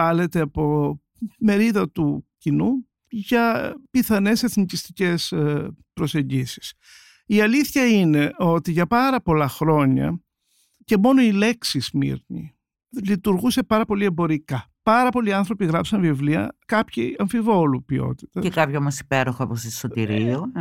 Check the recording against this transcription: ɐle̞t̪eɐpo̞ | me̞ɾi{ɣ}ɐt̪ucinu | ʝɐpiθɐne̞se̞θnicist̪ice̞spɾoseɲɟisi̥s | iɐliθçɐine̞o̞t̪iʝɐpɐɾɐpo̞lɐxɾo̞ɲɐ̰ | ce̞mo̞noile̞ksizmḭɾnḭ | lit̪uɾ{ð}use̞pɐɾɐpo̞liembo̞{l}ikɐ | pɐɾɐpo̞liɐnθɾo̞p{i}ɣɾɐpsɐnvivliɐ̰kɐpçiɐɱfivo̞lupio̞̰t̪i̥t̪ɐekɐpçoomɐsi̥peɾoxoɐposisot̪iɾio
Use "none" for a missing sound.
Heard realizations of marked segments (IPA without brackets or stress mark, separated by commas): ð, ɣ, ɾ, i